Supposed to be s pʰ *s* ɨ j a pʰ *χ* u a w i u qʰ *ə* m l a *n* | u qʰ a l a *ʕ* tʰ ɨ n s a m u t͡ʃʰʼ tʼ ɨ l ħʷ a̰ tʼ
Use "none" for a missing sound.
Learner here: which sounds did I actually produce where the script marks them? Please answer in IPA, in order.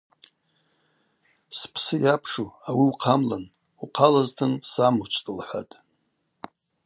s, ʂ, a, n, z

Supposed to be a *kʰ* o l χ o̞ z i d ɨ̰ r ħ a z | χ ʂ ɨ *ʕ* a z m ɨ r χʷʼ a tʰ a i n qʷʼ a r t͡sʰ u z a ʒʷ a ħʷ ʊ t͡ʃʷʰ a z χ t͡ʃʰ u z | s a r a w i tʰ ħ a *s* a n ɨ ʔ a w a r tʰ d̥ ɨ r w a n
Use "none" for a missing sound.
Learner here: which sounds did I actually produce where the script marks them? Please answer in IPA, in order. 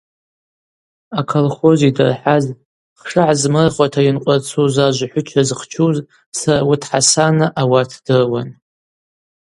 kʰ, ʕ, s

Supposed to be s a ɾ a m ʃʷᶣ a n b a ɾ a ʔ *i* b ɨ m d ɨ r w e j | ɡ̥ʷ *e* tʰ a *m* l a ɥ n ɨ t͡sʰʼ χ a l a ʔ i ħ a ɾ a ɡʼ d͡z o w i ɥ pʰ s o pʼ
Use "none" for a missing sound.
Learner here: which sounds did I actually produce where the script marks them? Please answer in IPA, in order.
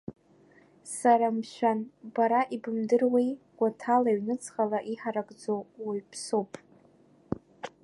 i, a, none

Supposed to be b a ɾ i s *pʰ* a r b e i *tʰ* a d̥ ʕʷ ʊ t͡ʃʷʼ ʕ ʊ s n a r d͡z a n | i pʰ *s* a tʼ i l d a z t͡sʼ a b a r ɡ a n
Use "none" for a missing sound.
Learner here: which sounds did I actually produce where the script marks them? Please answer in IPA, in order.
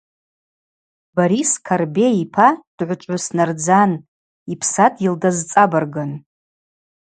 kʰ, pʰ, s

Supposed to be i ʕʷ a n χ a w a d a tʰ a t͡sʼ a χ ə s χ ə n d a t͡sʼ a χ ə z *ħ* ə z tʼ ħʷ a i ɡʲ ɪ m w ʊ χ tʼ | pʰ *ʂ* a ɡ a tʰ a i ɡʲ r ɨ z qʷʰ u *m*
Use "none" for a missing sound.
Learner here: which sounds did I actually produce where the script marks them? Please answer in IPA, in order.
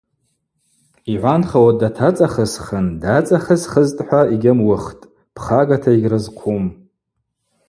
χ, χ, m

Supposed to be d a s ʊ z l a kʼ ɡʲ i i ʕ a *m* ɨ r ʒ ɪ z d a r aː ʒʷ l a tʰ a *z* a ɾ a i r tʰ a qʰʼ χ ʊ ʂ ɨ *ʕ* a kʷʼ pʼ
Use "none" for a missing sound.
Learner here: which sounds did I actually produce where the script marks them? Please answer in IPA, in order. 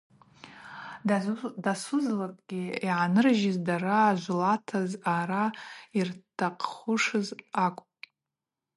n, z, z

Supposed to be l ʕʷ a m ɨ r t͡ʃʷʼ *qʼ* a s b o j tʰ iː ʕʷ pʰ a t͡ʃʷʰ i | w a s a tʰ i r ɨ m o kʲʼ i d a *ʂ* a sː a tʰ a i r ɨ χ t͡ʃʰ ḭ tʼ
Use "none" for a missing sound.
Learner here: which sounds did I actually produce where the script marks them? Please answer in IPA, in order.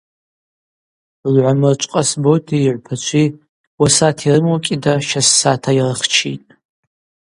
qʼ, ʃ

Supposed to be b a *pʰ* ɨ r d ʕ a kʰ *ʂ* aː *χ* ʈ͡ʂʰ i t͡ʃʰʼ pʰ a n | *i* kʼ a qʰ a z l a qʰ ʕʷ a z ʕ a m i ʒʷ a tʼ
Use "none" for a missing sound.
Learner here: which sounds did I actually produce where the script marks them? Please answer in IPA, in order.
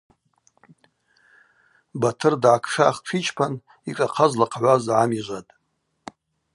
tʰ, ʂ, χ, i

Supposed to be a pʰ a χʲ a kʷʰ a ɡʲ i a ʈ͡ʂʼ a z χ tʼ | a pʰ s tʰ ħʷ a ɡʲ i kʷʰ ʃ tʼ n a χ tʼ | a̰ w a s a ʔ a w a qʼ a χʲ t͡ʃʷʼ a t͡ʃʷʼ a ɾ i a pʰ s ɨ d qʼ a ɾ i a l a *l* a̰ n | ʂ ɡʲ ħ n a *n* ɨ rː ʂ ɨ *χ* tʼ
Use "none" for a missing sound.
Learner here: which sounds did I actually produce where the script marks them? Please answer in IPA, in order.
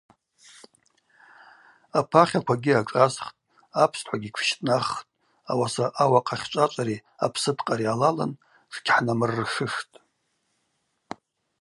l, m, ʂ

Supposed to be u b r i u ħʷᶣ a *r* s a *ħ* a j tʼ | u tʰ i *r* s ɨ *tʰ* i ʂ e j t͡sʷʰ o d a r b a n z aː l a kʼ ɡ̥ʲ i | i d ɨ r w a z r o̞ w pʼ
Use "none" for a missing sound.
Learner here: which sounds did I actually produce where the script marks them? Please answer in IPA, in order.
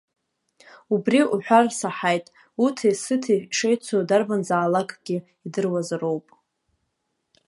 r, ħ, none, tʰ

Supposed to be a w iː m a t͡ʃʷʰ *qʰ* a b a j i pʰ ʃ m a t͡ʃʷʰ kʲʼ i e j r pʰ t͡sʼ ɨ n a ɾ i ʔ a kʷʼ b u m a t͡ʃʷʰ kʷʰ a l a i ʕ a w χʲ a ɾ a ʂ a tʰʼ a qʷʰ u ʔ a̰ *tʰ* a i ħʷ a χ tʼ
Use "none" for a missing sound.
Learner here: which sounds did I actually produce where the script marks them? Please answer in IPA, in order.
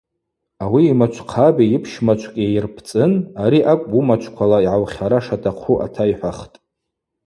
qʰ, tʰ

